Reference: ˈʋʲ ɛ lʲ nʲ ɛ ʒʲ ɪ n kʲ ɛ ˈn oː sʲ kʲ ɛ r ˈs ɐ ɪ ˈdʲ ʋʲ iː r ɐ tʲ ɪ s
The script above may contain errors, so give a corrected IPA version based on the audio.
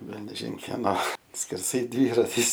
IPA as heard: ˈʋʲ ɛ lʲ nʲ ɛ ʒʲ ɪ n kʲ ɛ ˈn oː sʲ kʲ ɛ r ˈs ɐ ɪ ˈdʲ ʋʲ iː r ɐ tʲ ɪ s